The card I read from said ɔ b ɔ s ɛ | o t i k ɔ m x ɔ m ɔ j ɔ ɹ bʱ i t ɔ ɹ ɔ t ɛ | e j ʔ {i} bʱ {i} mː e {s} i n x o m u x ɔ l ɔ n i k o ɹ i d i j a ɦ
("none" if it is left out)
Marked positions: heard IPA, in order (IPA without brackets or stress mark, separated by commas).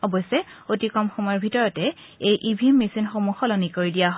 i, i, s